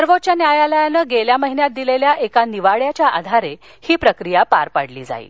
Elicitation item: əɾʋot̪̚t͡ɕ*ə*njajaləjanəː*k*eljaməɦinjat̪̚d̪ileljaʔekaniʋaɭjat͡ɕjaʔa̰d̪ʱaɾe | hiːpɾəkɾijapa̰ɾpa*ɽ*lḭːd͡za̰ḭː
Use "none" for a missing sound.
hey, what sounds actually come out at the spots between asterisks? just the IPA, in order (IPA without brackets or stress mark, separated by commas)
a, ɡ, ɽ